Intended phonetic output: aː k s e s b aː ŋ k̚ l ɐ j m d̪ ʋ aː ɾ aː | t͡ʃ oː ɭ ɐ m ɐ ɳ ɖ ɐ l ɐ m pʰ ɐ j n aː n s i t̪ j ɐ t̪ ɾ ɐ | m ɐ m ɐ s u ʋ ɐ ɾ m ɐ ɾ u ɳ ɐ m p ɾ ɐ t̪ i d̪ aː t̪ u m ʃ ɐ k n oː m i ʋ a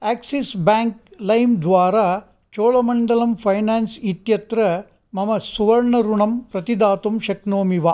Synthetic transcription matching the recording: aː k s i s b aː ŋ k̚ l ɐ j m d̪ ʋ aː ɾ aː | t͡ʃ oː ɭ ɐ m ɐ ɳ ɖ ɐ l ɐ m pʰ ɐ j n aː n s i t̪ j ɐ t̪ ɾ ɐ | m ɐ m ɐ s u ʋ ɐ ɾ ɳ ɐ ɾ u ɳ ɐ m p ɾ ɐ t̪ i d̪ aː t̪ u m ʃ ɐ k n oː m i ʋ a

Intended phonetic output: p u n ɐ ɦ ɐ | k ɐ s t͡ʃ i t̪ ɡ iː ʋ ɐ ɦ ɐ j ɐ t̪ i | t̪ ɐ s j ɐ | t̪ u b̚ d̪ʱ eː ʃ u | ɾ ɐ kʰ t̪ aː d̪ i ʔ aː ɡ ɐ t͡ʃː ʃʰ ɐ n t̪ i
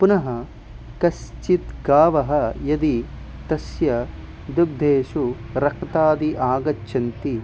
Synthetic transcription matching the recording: p u n ɐ ɦ ɐ | k ɐ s t͡ʃ i t̪ ɡ aː ʋ ɐ ɦ ɐ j ɐ d̪ i | t̪ ɐ s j ɐ | d̪ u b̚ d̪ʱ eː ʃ u | ɾ ɐ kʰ t̪ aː d̪ i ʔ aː ɡ ɐ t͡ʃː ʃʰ ɐ n t̪ i

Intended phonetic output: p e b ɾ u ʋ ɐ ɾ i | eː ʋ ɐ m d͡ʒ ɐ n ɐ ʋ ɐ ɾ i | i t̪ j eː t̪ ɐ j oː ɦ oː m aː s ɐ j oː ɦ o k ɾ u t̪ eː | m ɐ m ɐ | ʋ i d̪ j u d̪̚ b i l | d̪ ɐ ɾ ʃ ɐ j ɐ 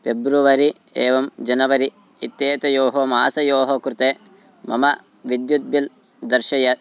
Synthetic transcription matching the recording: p e b ɾ u ʋ ɐ ɾ i | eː ʋ ɐ m d͡ʒ ɐ n ɐ ʋ ɐ ɾ i | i t̪ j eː t̪ ɐ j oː ɦ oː m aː s ɐ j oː ɦ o k ɾ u t̪ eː | m ɐ m ɐ | ʋ i d̪ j u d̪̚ b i l | d̪ ɐ ɾ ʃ ɐ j ɐ

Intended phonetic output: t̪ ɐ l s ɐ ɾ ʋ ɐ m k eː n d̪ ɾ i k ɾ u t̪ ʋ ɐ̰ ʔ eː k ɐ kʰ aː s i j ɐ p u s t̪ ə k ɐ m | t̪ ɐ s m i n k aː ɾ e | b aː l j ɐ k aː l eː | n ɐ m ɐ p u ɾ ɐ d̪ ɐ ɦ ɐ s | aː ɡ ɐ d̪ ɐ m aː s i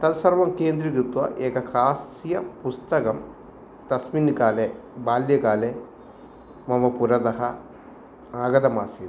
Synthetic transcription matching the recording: t̪ ɐ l s ɐ ɾ ʋ ɐ m k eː n d̪ ɾ i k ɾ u t̪ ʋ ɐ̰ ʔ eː k ɐ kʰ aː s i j ɐ p u s t̪ ɐ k ɐ m | t̪ ɐ s m i n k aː l e | b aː l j ɐ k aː l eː | m ɐ m ɐ p u ɾ ɐ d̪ ɐ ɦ ɐ | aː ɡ ɐ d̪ ɐ m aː s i

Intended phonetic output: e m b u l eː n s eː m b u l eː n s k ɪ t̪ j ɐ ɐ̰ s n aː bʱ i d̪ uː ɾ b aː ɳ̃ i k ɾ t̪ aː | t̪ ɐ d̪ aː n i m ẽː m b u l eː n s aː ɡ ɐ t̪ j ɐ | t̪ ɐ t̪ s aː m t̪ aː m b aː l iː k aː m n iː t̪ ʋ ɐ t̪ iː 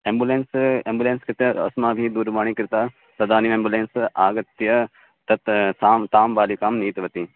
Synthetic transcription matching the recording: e m b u l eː n s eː m b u l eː n s k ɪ t̪ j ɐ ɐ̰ s m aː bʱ i d̪ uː ɾ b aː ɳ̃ i k ɾ t̪ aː | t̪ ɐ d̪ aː n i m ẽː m b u l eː n s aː ɡ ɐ t̪ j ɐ | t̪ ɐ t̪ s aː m t̪ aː m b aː l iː k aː m n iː t̪ ʋ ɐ t̪ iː

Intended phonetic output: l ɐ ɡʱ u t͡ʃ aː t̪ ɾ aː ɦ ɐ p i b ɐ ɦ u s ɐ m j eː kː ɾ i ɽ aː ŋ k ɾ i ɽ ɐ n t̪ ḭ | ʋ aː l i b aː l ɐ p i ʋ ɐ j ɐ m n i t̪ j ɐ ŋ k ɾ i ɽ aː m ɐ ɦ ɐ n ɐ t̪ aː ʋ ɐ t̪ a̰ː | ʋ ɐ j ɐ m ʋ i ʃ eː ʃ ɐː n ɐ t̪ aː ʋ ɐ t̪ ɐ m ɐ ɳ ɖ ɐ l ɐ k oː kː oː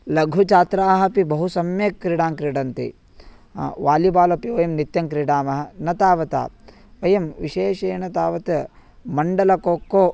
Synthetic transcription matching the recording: l ɐ ɡʱ u t͡ʃ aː t̪ ɾ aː ɦ ɐ p i b ɐ ɦ u s ɐ m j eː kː ɾ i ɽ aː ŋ k ɾ i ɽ ɐ n t̪ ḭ | ʋ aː l i b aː l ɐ p i ʋ ɐ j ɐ m n i t̪ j ɐ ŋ k ɾ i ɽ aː m ɐ ɦ ɐ n ɐ t̪ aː ʋ ɐ t̪ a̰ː | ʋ ɐ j ɐ m ʋ i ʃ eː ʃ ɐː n ɐ t̪ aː ʋ ɐ t̪ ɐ m ɐ ɳ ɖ ɐ l ɐ k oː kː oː

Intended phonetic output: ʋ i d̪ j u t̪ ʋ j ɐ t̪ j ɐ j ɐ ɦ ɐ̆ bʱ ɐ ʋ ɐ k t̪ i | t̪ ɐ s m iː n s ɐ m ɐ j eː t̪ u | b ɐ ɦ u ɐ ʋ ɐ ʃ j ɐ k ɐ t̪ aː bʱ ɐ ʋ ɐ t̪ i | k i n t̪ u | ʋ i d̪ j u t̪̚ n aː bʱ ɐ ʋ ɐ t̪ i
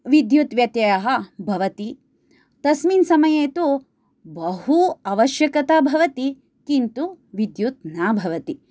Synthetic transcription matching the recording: ʋ i d̪ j u t̪ ʋ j ɐ t̪ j ɐ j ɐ ɦ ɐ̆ bʱ ɐ ʋ ɐ t̪ i | t̪ ɐ s m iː n s ɐ m ɐ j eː t̪ u | b ɐ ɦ u ɐ ʋ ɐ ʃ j ɐ k ɐ t̪ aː bʱ ɐ ʋ ɐ t̪ i | k i n t̪ u | ʋ i d̪ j u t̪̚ n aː bʱ ɐ ʋ ɐ t̪ i

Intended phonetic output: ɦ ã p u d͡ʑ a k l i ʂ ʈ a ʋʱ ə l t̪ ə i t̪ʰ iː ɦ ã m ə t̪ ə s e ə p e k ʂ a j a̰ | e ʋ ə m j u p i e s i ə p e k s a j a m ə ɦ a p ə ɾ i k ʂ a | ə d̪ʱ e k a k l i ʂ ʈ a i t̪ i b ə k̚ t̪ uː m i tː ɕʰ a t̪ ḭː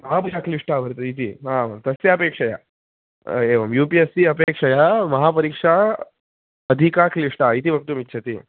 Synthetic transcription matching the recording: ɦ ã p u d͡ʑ a k l i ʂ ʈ a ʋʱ ə ɾ t̪ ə i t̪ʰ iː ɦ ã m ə t̪ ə s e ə p e k ʂ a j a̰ | e ʋ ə m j u p i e s i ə p e k ʂ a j a m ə ɦ a p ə ɾ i k ʂ a | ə d̪ʱ i k a k l i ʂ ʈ a i t̪ i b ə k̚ t̪ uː m i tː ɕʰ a t̪ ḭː

